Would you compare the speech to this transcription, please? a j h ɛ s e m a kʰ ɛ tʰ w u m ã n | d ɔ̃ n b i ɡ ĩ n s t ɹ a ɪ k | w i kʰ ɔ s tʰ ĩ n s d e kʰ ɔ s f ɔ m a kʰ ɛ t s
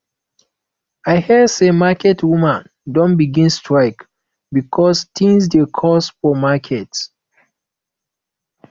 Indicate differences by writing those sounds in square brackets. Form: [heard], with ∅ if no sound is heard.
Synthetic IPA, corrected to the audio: a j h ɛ s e m a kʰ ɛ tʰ w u m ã n | d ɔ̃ n b i ɡ ĩ n s t ɹ a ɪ k | [b] i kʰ ɔ s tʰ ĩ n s d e kʰ ɔ s f ɔ m a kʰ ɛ t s